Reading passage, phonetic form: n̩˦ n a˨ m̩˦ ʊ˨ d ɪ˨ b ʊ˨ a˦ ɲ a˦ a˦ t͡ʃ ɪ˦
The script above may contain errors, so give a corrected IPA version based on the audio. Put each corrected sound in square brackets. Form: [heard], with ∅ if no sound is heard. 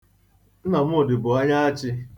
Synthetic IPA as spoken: n̩˦ n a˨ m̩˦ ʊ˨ d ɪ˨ b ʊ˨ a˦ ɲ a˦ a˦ t͡ʃ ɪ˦